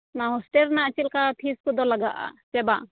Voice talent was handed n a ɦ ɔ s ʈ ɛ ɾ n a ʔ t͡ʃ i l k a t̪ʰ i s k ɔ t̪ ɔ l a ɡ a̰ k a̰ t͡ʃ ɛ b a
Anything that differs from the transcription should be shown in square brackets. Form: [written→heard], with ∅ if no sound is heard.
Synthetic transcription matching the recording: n a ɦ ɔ s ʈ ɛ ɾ n a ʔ t͡ʃ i l k a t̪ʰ i s k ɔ [t̪→d̪] ɔ l a ɡ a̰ [k→ʔ] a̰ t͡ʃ ɛ b a